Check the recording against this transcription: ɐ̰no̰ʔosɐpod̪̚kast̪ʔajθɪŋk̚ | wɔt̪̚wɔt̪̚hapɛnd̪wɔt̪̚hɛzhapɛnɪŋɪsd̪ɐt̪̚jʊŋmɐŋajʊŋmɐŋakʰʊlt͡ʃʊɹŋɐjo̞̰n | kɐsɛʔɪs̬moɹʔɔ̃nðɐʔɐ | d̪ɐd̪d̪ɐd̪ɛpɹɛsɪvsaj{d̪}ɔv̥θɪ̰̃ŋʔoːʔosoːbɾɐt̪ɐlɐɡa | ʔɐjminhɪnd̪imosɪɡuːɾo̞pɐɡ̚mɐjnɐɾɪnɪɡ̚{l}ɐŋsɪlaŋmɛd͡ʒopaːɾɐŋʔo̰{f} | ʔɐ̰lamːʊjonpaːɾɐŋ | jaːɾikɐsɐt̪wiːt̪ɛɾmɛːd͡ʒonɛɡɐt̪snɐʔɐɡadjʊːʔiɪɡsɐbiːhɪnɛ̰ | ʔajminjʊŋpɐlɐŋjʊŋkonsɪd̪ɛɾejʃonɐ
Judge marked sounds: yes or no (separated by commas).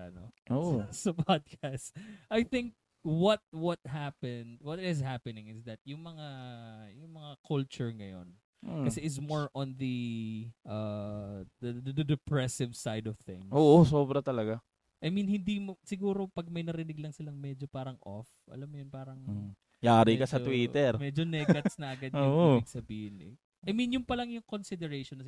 yes, yes, yes